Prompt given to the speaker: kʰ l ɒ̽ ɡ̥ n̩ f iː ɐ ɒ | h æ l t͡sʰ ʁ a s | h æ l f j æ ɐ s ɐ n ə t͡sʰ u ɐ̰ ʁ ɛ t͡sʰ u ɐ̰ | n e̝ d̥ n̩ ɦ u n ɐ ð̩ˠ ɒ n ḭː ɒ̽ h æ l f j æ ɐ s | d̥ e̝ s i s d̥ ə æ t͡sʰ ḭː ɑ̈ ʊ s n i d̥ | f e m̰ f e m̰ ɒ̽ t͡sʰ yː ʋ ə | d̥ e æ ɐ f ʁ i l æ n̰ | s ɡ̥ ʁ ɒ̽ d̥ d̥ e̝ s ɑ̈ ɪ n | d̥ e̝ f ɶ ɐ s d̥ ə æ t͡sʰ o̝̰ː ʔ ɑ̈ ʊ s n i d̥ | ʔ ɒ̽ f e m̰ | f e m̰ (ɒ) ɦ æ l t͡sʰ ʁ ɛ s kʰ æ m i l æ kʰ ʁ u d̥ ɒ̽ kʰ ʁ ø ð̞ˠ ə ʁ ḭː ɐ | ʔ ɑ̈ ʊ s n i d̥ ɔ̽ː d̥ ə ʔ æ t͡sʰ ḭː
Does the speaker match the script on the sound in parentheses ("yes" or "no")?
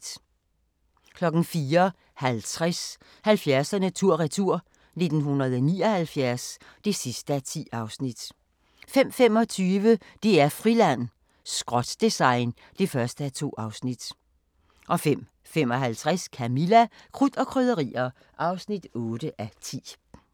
yes